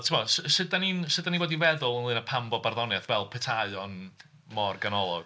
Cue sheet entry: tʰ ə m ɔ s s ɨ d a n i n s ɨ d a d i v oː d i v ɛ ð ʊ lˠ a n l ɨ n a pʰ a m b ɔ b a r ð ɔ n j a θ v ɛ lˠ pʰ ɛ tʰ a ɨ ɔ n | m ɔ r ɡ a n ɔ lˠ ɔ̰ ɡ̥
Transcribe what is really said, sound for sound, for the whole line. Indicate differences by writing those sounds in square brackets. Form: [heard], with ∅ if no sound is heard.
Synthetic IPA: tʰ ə m ɔ s s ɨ d a n i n s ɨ d a [n] i v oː d i v ɛ ð ʊ lˠ [ə] n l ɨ n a pʰ a m b ɔ b a r ð ɔ n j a θ v ɛ lˠ pʰ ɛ tʰ a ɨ ɔ n | m ɔ r ɡ a n ɔ lˠ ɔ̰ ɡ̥